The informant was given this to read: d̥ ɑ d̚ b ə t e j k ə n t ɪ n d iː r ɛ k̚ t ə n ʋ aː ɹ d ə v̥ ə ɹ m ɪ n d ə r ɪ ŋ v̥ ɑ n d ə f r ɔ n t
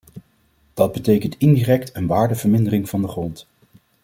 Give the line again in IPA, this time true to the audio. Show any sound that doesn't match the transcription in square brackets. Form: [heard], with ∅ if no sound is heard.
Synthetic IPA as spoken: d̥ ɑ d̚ b ə t e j k ə n t ɪ n d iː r ɛ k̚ t ə n ʋ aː ɹ d ə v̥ ə ɹ m ɪ n d ə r ɪ ŋ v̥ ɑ n d ə [χ] r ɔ n t